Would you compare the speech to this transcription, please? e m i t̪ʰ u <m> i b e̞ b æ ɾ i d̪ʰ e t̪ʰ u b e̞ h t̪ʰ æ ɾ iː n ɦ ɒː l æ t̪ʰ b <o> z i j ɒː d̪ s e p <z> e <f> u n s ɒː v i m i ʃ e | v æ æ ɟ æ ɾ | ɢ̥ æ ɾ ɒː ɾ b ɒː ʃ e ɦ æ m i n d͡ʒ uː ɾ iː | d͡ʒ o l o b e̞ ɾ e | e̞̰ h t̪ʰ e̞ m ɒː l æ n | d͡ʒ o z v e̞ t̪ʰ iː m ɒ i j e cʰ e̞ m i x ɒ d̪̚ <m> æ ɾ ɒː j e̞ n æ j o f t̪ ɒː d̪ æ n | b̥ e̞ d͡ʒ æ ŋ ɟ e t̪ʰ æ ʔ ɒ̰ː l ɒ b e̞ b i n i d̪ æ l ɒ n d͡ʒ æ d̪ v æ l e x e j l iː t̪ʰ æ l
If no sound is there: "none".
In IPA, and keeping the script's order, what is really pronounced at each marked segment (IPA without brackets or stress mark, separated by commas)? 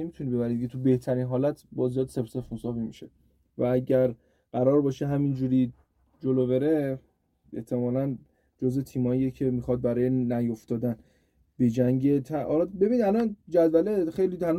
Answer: n, ɒ, s, f, b